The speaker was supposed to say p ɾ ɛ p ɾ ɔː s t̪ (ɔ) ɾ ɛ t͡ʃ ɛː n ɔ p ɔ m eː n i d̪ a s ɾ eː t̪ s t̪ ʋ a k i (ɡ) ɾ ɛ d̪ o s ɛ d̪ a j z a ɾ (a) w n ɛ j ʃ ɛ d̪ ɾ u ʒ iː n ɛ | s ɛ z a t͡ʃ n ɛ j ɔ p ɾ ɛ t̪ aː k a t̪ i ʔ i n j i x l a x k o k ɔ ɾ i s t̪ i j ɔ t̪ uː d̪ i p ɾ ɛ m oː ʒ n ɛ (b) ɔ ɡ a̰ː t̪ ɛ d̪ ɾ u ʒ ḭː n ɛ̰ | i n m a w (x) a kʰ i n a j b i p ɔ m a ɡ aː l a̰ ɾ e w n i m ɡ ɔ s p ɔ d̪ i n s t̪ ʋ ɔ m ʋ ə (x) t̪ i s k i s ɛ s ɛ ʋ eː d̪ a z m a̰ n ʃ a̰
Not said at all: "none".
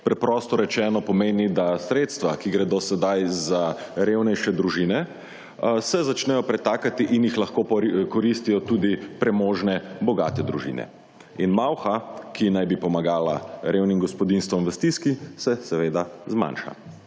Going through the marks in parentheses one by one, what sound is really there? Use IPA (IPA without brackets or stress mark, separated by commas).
ɔ, ɡ, e, b, x, s